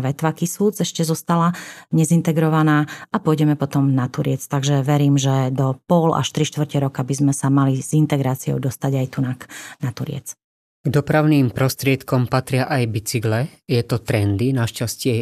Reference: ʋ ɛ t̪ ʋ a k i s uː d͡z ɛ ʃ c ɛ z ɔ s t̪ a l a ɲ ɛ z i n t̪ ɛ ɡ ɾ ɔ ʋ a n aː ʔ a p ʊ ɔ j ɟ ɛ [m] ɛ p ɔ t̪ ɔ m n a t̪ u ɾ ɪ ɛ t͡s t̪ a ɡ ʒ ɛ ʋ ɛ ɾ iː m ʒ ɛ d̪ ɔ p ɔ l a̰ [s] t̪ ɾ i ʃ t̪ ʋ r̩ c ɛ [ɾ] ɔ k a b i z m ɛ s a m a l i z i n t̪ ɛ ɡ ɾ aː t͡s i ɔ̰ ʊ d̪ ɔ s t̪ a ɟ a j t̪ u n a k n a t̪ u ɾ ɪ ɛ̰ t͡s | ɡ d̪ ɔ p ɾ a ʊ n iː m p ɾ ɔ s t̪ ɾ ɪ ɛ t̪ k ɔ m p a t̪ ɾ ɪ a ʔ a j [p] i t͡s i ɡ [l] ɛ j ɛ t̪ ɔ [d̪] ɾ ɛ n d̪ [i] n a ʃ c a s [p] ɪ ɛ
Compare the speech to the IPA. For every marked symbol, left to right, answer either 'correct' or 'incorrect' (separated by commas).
correct, incorrect, correct, incorrect, correct, incorrect, correct, incorrect